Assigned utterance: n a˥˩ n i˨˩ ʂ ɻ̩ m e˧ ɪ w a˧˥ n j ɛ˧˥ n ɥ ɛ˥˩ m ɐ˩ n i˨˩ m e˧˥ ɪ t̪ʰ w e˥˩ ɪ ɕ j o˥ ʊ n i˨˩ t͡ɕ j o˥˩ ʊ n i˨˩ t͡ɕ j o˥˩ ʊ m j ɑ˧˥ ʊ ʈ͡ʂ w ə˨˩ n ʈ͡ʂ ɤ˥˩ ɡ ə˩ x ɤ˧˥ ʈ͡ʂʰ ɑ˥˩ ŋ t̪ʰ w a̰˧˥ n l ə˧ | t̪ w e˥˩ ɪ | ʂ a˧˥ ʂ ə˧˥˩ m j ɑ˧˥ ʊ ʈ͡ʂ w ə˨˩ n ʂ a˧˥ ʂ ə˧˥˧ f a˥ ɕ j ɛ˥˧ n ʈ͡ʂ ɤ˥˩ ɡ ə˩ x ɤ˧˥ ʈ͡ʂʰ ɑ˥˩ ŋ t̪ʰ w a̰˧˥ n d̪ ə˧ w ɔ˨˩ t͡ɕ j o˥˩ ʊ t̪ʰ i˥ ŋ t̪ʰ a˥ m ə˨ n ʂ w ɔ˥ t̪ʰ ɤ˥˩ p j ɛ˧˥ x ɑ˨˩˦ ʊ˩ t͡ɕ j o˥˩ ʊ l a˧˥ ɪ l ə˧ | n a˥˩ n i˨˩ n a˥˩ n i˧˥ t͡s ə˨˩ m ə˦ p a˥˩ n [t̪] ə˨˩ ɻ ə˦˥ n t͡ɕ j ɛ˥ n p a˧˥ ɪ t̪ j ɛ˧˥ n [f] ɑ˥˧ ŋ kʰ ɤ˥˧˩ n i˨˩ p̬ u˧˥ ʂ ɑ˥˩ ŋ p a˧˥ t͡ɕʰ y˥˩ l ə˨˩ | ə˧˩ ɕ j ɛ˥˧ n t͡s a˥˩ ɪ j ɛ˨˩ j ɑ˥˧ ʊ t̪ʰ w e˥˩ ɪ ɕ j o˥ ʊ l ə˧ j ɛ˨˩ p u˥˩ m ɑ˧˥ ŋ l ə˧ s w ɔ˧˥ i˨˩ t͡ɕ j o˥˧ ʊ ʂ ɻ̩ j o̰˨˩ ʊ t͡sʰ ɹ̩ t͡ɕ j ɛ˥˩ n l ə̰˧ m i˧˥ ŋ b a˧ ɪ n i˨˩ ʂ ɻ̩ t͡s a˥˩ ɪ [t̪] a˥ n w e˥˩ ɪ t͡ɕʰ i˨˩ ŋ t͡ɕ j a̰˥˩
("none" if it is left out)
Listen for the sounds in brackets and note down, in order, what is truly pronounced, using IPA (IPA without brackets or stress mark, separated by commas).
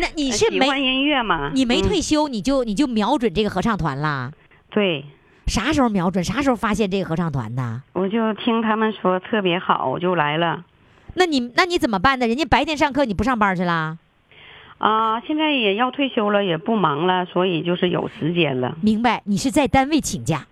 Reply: d̪, ʂ, t̪